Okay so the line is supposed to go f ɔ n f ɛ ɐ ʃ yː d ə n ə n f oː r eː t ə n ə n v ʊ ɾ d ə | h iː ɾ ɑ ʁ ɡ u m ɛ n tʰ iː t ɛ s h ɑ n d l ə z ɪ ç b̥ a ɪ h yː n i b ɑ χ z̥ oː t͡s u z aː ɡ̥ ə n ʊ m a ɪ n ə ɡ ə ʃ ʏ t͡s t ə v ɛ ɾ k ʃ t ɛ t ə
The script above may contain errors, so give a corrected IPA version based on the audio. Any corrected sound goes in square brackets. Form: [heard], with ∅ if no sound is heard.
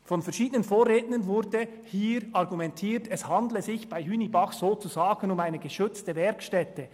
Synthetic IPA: f ɔ n f ɛ ɐ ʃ [iː] d ə n ə n f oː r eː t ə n ə n v ʊ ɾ d ə | h iː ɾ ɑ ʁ ɡ u m ɛ n tʰ iː t ɛ s h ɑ n d l ə z ɪ ç b̥ a ɪ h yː n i b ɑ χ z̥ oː t͡s u z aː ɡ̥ ə n ʊ m a ɪ n ə ɡ ə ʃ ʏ t͡s t ə v ɛ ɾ k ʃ t ɛ t ə